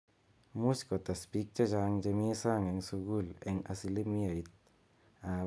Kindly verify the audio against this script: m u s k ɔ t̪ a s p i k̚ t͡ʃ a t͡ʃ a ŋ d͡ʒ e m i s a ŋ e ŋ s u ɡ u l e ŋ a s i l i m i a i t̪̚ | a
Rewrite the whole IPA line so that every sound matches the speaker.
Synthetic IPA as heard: m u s k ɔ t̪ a s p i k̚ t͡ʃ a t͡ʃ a ŋ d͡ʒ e m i s a ŋ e ŋ s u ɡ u l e ŋ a s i l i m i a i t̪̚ | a